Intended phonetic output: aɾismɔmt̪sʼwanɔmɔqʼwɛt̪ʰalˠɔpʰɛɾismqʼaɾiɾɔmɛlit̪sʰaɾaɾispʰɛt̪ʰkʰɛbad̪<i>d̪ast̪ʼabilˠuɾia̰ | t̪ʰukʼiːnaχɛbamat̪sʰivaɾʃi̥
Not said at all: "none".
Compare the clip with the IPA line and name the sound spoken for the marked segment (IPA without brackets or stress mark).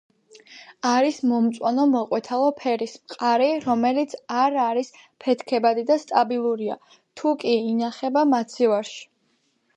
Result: i